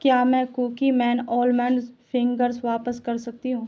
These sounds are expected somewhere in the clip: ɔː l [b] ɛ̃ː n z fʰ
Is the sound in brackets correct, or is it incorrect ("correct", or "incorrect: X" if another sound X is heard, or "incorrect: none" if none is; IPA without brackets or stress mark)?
incorrect: m